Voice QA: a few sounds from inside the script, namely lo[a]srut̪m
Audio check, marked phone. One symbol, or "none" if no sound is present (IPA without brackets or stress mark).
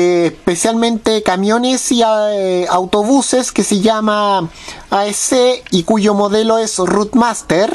e